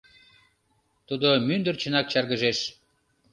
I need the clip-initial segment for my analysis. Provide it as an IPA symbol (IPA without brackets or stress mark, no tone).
t̪